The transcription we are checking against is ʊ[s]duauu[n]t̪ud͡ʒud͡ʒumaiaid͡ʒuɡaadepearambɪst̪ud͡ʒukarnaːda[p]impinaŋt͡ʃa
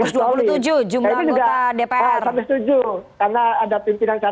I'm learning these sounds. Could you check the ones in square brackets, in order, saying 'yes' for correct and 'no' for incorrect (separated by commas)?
yes, no, yes